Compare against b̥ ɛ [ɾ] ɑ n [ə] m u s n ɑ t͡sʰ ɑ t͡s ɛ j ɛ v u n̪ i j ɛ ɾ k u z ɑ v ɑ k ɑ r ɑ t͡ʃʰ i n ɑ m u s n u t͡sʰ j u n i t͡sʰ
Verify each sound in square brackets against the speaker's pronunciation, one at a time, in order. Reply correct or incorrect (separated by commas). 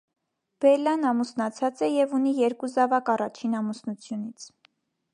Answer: incorrect, incorrect